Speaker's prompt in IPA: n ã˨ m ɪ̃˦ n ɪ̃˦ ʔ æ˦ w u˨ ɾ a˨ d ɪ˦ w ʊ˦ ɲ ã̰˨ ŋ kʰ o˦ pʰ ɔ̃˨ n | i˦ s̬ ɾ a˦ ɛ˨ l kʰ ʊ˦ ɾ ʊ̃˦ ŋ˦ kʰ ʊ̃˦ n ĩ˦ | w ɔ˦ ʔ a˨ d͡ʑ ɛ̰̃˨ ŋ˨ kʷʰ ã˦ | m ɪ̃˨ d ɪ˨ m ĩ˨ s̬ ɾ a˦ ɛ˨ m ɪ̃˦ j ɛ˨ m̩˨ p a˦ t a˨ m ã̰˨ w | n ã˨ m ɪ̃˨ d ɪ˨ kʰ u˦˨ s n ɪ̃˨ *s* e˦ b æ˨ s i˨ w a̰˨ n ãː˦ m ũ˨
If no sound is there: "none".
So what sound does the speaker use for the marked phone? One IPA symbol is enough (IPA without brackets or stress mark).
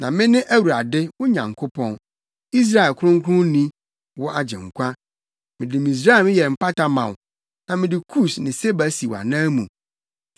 s